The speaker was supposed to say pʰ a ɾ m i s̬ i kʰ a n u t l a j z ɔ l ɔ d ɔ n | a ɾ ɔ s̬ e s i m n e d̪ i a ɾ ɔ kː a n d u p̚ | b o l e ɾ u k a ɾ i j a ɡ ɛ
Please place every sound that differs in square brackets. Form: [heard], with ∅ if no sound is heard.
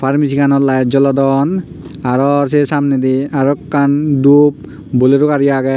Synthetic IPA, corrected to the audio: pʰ a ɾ m i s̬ i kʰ a n [ɔ] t l a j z ɔ l ɔ d ɔ n | a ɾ ɔ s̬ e s [a] m n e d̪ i a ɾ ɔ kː a n d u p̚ | b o l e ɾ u k a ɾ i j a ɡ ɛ